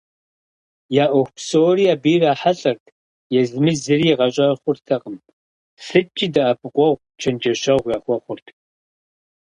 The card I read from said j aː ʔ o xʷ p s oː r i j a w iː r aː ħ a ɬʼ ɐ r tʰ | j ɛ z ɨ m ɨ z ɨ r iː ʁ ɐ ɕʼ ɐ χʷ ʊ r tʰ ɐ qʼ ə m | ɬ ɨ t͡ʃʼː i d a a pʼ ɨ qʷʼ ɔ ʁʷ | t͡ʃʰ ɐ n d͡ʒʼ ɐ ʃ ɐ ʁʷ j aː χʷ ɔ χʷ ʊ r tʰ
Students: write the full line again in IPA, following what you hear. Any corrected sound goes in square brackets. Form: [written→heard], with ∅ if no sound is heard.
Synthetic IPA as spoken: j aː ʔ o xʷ p s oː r i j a [w→b] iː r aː ħ a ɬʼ ɐ r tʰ | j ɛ z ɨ m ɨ z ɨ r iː ʁ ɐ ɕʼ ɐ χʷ ʊ r tʰ ɐ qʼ ə m | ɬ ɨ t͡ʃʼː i d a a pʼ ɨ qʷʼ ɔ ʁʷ | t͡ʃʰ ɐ n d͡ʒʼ ɐ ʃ ɐ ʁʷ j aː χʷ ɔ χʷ ʊ r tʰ